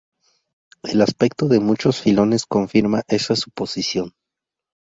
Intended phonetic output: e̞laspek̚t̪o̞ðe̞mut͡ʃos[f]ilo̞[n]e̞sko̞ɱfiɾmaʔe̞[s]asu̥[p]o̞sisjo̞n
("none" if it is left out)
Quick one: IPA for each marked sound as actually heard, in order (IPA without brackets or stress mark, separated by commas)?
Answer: f, n, s, p